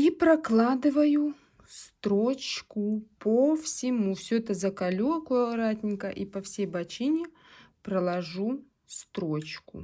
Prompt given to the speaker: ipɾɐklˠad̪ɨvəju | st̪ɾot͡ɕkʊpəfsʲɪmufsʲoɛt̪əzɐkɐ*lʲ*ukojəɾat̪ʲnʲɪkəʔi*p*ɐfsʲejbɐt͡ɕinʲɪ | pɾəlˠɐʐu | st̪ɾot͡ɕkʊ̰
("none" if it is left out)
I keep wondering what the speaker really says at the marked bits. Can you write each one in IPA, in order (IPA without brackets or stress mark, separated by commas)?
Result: lʲ, p